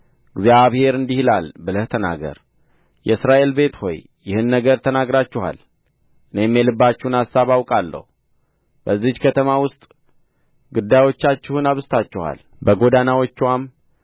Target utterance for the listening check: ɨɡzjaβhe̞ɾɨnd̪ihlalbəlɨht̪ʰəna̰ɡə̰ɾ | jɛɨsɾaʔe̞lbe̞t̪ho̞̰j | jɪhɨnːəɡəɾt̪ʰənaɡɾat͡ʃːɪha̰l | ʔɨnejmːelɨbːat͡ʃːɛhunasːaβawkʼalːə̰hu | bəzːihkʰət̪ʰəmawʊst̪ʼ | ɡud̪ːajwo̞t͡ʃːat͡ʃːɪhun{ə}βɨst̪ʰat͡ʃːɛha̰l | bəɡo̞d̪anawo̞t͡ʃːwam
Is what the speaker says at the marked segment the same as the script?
no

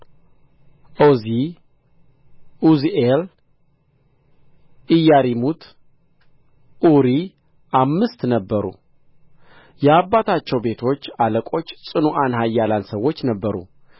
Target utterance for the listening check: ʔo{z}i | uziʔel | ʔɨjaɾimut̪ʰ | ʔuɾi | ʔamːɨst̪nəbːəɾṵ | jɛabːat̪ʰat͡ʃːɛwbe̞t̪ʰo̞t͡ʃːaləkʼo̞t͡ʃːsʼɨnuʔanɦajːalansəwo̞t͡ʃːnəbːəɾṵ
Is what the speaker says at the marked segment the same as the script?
yes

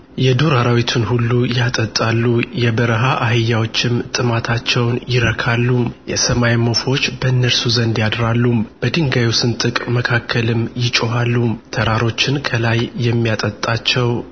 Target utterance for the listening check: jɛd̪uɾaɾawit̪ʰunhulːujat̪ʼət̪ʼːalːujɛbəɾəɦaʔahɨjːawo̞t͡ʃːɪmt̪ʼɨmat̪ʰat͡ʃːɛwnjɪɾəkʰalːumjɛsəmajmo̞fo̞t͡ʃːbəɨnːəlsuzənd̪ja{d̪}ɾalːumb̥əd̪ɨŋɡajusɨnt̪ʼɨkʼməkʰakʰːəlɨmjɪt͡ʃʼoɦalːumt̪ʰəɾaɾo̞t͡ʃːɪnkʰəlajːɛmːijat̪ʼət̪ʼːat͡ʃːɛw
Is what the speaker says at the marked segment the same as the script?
yes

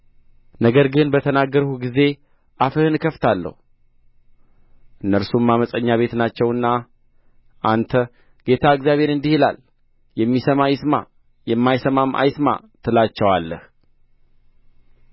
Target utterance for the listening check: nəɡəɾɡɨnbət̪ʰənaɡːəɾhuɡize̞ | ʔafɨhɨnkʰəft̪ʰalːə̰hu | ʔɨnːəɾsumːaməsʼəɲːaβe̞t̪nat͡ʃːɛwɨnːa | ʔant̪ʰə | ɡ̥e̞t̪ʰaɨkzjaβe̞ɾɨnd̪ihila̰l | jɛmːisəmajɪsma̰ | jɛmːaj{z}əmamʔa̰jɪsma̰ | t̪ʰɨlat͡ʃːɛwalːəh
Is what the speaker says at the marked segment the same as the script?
no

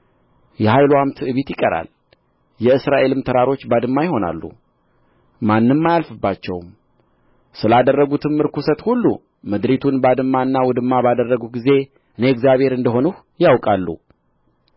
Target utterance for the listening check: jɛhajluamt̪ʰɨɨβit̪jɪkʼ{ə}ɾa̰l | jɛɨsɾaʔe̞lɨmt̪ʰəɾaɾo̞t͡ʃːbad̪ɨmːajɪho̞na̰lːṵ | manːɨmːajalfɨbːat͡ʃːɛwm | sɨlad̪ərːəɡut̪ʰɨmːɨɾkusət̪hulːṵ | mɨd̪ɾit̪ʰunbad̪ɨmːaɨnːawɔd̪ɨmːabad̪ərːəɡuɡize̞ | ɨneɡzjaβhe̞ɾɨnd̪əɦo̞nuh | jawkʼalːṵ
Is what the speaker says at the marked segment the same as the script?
yes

